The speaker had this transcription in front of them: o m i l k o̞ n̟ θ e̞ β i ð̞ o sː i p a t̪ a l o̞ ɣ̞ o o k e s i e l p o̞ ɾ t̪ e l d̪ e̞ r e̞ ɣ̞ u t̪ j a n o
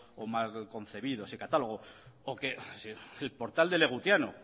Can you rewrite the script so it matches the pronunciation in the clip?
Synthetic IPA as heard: o m a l k o̞ n̟ θ e̞ β i ð̞ o s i k a t̪ a l o̞ ɣ̞ o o k e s i e l p o̞ ɾ t̪ a l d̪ e̞ l e̞ ɣ̞ u t̪ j a n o